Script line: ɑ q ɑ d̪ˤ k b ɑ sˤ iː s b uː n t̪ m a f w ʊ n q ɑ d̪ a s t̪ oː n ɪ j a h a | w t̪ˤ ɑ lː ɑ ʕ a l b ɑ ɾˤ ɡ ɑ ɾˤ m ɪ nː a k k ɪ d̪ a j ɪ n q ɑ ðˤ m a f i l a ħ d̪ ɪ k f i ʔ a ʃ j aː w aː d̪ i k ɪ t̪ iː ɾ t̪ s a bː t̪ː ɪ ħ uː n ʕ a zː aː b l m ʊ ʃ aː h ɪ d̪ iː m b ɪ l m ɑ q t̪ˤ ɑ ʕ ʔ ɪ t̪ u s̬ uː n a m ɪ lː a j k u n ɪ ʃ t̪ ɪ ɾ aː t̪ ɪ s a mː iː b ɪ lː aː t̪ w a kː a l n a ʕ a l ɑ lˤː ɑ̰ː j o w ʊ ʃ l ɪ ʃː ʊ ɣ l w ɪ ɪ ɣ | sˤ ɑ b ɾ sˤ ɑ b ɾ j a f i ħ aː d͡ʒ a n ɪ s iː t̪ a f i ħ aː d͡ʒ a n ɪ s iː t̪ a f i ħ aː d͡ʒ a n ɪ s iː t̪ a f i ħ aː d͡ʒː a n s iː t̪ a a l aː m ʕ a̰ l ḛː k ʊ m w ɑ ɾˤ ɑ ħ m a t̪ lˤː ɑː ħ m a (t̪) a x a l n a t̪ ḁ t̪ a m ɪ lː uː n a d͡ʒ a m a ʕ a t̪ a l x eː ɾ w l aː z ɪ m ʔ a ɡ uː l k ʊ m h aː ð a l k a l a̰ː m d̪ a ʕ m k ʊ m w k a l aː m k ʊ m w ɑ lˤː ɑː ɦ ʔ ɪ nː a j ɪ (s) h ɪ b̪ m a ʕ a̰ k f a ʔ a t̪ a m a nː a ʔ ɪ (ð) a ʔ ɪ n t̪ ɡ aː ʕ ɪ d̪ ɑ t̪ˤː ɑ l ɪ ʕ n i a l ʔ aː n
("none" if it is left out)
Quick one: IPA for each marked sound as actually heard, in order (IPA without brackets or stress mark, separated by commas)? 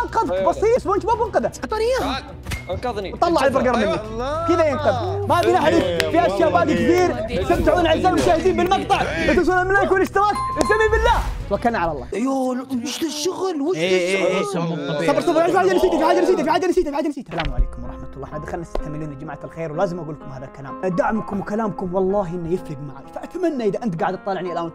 d̪, f, ð